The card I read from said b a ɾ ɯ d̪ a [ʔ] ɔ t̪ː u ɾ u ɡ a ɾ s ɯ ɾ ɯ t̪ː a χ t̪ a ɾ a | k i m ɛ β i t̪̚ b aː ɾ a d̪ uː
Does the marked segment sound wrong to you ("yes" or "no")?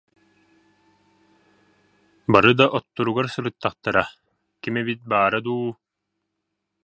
no